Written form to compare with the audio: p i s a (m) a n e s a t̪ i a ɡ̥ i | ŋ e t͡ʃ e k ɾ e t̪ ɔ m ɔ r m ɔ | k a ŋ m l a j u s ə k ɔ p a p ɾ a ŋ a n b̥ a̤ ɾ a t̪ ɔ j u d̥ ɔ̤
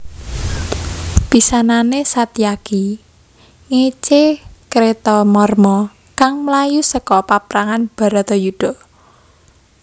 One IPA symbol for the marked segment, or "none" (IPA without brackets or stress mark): n